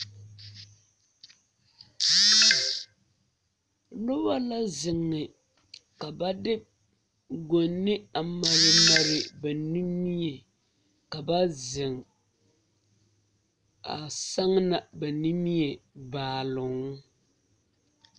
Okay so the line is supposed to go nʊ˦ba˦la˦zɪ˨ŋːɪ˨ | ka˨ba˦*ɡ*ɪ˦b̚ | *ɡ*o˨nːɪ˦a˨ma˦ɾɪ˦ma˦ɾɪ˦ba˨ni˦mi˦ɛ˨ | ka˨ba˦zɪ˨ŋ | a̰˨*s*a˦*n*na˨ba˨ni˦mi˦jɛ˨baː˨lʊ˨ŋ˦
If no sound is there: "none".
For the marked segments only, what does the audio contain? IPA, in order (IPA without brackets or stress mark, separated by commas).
d, ɡ, s, ŋ